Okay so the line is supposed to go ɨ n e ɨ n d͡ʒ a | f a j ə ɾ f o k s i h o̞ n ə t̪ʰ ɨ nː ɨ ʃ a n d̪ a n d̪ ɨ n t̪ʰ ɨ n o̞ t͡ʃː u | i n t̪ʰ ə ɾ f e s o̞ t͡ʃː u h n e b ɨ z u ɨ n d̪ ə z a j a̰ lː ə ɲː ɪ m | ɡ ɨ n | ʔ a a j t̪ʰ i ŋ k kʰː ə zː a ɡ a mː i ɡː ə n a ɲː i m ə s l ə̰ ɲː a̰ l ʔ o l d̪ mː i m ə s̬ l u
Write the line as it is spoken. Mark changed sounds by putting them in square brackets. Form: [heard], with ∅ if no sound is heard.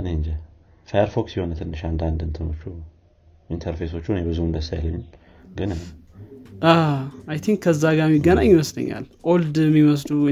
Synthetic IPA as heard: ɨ n e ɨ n d͡ʒ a | f a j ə ɾ f o k s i h o̞ n ə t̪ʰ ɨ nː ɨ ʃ a n d̪ a n d̪ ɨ n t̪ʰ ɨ n o̞ t͡ʃː u | i n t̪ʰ ə ɾ f e s o̞ t͡ʃː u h n e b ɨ z u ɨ n d̪ ə [s] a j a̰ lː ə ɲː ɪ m | ɡ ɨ n | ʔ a a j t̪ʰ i ŋ k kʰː ə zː a ɡ a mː i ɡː ə n a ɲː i m ə s l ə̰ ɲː a̰ l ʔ o l d̪ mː i m ə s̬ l u